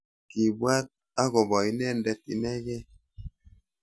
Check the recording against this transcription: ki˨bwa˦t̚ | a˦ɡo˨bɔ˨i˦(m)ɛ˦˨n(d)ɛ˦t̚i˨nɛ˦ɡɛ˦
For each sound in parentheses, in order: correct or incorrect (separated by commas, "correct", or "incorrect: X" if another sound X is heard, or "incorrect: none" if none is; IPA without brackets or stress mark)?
incorrect: n, correct